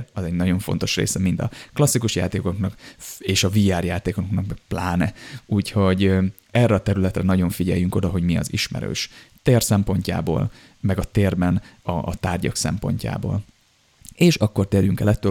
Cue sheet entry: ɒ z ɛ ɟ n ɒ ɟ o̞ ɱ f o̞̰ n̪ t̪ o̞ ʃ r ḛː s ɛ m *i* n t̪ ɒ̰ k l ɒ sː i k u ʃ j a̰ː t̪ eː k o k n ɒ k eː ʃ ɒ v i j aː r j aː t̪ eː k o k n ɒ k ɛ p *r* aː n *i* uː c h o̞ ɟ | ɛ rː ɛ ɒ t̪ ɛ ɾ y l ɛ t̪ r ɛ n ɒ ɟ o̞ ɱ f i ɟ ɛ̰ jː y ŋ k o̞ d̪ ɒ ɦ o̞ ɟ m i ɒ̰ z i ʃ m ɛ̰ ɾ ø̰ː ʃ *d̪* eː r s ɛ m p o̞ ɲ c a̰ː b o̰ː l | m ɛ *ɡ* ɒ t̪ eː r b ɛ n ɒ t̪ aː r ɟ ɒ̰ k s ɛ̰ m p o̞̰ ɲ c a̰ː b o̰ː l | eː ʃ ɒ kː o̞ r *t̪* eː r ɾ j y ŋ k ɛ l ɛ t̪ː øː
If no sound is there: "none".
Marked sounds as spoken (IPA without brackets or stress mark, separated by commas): i, l, ɛ, t̪, ɡ, t̪